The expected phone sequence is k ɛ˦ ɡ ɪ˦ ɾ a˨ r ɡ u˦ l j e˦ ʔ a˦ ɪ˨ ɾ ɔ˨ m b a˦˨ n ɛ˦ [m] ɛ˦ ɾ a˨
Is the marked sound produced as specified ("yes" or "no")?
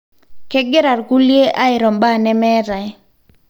yes